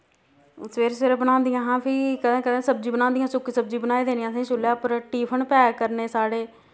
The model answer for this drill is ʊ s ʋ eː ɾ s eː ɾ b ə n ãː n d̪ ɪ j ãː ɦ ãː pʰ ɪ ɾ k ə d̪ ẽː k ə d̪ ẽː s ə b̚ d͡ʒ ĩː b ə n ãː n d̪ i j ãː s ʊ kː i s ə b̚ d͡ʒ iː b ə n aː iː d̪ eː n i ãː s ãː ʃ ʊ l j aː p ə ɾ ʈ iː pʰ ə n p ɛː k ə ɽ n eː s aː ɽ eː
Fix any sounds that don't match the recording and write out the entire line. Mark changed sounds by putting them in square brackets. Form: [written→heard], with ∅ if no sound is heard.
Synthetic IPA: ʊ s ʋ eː ɾ s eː ɾ b ə n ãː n d̪ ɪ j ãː ɦ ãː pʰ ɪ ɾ k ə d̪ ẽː k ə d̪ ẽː s ə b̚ d͡ʒ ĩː b ə n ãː n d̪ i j ãː s ʊ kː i s ə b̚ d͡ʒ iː b ə n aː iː d̪ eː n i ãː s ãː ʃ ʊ l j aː p ə ɾ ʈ iː pʰ ə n p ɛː k ə [ɽ→ɾ] n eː s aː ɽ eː